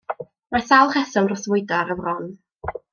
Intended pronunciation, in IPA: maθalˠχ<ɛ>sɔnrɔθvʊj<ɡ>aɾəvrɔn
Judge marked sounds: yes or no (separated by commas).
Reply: yes, no